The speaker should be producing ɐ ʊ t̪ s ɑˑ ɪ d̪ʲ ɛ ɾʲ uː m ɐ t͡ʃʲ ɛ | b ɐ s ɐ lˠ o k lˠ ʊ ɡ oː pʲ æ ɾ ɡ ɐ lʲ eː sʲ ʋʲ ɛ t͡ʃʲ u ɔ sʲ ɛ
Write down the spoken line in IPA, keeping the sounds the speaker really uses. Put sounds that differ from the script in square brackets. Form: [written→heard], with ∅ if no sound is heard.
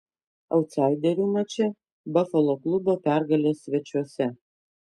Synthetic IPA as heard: ɐ ʊ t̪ s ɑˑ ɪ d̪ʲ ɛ ɾʲ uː m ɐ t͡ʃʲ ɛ | b ɐ [s→f] ɐ lˠ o k lˠ ʊ [ɡ→b] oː pʲ æ ɾ ɡ ɐ lʲ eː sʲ ʋʲ ɛ t͡ʃʲ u ɔ sʲ ɛ